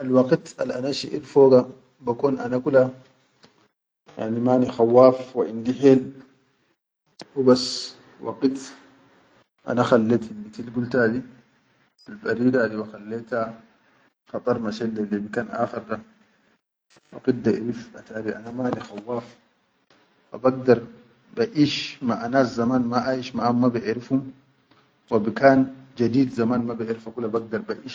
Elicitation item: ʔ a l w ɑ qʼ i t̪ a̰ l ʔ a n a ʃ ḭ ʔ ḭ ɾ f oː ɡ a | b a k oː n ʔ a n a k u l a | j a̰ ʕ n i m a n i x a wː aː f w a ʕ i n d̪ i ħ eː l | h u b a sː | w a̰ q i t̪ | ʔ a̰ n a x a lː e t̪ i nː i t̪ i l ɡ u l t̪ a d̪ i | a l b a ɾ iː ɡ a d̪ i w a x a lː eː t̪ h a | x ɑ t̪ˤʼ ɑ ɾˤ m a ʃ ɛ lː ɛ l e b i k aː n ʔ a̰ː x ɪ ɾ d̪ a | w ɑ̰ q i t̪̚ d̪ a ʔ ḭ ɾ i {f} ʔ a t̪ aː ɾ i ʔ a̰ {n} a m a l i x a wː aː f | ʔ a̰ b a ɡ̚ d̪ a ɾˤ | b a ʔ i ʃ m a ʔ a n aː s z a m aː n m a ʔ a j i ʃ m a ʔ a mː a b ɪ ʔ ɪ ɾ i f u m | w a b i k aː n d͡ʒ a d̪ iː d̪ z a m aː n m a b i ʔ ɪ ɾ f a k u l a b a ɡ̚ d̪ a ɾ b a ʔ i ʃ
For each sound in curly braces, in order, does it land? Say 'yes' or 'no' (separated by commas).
yes, yes